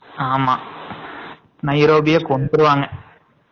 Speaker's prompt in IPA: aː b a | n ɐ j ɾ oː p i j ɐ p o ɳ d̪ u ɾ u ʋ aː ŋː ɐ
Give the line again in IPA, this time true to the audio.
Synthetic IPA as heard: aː m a | n ɐ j ɾ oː b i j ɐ k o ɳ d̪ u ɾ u ʋ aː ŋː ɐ